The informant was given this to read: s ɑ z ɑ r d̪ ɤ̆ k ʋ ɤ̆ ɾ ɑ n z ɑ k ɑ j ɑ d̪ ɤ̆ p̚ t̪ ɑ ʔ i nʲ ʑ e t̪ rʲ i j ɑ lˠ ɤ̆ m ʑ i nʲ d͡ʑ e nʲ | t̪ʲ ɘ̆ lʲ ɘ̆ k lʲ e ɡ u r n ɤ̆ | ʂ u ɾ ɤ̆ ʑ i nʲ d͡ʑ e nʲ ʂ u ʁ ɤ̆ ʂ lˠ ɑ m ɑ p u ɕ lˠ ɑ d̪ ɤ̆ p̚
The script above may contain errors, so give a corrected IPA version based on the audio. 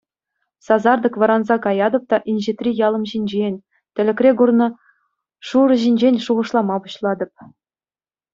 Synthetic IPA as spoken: s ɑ z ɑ r d̪ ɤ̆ k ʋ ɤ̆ ɾ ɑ n z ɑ k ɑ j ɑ d̪ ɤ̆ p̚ t̪ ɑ ʔ i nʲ ʑ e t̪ rʲ i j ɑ lˠ ɤ̆ m ʑ i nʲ d͡ʑ e nʲ | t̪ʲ ɘ̆ lʲ ɘ̆ k rʲ e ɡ u r n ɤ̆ | ʂ u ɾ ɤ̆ ʑ i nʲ d͡ʑ e nʲ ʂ u ʁ ɤ̆ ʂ lˠ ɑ m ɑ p u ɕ lˠ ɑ d̪ ɤ̆ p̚